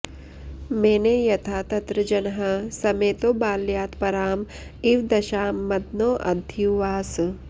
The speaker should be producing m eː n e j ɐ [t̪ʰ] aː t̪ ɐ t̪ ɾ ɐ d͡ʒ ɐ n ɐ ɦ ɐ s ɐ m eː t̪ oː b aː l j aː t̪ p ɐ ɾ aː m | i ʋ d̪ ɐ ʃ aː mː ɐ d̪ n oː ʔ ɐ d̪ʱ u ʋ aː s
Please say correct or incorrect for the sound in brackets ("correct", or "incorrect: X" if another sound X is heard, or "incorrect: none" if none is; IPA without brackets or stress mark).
correct